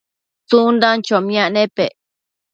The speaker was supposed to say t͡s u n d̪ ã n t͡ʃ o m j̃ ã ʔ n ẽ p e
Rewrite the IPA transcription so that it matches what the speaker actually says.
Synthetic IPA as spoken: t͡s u n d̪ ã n t͡ʃ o m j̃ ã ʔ n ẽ p e